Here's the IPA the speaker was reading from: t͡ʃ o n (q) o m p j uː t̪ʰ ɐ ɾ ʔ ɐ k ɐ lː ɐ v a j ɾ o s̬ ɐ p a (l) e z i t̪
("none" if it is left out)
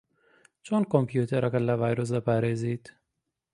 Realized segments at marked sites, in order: k, ɾ

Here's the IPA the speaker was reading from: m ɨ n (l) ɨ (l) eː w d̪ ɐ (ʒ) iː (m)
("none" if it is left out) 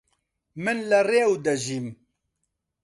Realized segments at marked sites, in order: l, r, ʒ, m

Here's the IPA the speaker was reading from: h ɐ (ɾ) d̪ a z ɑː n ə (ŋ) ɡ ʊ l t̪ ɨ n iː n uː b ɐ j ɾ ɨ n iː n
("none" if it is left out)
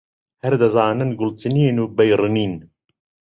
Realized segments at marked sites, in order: ɾ, n

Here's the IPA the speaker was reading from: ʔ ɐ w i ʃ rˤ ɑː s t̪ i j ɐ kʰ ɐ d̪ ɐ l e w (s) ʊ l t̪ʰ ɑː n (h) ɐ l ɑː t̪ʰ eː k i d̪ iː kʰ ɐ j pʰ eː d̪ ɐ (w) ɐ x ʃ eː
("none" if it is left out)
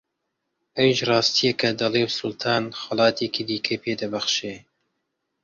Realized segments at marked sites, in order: s, x, b

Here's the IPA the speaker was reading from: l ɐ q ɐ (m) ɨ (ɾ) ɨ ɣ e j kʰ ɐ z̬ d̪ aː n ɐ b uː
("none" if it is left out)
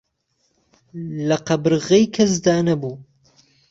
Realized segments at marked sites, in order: b, ɾ

